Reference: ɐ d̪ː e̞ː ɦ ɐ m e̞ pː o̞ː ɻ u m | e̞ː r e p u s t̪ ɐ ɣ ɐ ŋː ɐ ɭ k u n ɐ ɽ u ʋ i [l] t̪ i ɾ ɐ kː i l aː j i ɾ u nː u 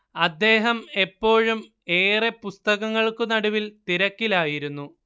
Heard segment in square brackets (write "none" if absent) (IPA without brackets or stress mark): l